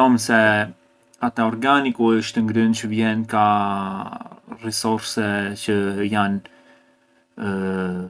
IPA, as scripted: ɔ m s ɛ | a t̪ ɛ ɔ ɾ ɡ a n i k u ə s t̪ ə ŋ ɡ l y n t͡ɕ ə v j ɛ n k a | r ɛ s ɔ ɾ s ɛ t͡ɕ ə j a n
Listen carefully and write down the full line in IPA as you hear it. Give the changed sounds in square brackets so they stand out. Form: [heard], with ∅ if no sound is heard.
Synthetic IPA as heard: ɔ m s ɛ | a t̪ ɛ ɔ ɾ ɡ a n i k u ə [ʃ] t̪ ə ŋ ɡ [ɾ] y n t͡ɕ ə v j ɛ n k a | r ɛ s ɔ ɾ s ɛ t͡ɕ ə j a n